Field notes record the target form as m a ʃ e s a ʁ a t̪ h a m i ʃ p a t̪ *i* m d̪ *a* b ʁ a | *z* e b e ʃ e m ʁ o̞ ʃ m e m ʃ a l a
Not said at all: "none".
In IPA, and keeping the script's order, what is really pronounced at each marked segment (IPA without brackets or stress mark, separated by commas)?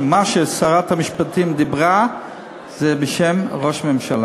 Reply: i, i, z